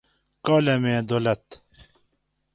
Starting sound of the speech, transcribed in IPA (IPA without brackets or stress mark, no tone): k